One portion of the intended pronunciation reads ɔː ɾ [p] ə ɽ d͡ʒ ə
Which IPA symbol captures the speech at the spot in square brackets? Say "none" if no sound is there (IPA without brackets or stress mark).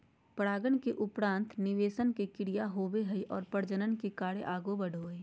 p